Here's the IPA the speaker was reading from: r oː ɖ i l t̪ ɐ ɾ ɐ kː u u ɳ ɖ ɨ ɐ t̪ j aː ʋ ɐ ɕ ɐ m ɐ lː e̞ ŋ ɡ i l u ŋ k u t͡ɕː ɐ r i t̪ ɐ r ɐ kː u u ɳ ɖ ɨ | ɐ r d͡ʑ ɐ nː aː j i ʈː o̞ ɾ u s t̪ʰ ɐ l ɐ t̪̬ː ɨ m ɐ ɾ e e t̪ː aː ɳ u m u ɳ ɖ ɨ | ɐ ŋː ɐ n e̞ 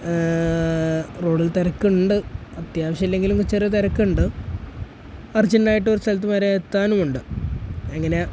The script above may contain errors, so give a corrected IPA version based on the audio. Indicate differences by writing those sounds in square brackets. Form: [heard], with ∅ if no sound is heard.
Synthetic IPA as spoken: r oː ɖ i l t̪ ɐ ɾ ɐ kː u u ɳ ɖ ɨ ɐ t̪ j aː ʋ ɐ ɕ ɐ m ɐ lː e̞ ŋ ɡ i l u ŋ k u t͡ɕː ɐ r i t̪ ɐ [ɾ] ɐ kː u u ɳ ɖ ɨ | ɐ r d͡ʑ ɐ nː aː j i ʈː o̞ ɾ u s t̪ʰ ɐ l ɐ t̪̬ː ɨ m ɐ ɾ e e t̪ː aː [n] u m u ɳ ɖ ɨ | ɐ ŋː ɐ n e̞